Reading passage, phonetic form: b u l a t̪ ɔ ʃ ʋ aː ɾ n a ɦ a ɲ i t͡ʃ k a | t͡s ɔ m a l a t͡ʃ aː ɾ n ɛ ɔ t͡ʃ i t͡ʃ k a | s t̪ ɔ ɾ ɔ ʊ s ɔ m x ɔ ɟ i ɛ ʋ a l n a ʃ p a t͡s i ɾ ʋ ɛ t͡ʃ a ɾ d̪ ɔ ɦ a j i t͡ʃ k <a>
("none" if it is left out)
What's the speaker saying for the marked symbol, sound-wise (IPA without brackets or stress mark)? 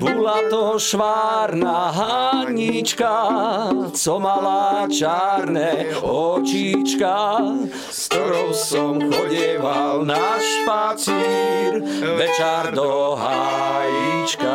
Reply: a